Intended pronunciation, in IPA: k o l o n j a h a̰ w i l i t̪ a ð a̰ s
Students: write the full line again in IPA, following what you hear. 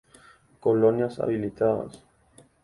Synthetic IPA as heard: k o l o n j a s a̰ β i l i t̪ a ð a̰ s